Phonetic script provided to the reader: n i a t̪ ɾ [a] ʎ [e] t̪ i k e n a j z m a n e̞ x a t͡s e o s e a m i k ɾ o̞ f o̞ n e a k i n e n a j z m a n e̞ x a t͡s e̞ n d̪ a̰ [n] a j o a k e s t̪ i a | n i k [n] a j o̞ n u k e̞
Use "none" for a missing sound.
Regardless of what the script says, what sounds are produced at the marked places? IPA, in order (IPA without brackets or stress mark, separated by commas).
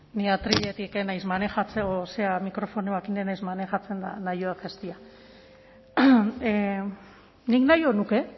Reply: i, e, n, n